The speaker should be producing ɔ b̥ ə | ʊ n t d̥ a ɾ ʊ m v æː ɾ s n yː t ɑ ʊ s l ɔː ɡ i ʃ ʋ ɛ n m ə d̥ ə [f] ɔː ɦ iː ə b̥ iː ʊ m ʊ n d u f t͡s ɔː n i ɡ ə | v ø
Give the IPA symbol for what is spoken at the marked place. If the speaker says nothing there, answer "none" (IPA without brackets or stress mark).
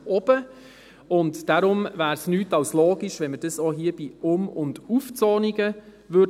s